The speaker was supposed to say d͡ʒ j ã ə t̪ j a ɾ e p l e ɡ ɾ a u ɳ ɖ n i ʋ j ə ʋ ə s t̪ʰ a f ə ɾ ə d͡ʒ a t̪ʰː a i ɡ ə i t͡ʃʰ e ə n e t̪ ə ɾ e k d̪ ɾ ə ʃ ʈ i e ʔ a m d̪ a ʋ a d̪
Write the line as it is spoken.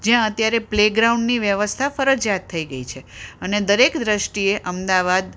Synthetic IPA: d͡ʒ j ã ə t̪ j a ɾ e p l e ɡ ɾ a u ɳ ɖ n i ʋ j ə ʋ ə s t̪ʰ a f ə ɾ ə d͡ʒ a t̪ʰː ə i ɡ ə i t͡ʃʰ e ə n e d̪ ə ɾ e k d̪ ɾ ə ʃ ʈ i e ʔ ə m d̪ a ʋ a d̪